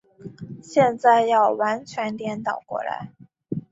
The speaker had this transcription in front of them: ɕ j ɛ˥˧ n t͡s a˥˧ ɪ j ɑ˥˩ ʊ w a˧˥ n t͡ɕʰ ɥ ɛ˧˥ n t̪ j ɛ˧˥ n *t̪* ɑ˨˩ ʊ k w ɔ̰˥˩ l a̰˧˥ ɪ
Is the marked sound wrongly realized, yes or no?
no